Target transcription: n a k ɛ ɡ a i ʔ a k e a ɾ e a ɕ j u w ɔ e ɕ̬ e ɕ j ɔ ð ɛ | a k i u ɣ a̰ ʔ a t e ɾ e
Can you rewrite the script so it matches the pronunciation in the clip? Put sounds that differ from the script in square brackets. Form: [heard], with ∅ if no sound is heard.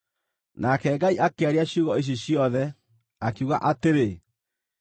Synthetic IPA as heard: n a k ɛ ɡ a i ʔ a k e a ɾ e a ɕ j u [ɣ] ɔ e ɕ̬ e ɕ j ɔ ð ɛ | a k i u ɣ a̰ ʔ a t e ɾ e